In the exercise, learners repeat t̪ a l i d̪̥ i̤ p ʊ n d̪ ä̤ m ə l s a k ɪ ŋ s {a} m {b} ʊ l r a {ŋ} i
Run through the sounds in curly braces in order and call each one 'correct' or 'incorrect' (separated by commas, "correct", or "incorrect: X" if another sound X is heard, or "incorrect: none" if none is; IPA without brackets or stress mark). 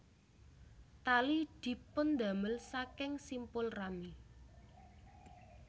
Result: incorrect: i, incorrect: p, incorrect: m